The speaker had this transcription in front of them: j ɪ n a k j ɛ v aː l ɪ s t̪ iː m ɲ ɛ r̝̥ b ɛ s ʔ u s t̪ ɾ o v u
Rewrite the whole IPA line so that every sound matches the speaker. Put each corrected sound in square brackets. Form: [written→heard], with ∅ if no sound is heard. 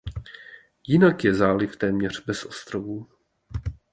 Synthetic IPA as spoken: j ɪ n a k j ɛ [v→z] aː l ɪ [s→f] t̪ [iː→ɛː] m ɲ ɛ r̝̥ b ɛ s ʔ [u→o] s t̪ ɾ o v u